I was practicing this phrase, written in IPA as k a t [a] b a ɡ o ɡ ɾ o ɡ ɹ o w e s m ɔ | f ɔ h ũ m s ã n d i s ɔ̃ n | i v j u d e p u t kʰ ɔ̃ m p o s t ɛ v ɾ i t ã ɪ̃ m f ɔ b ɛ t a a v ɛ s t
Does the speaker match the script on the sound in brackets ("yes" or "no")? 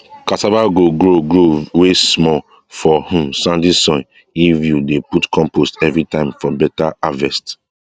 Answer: yes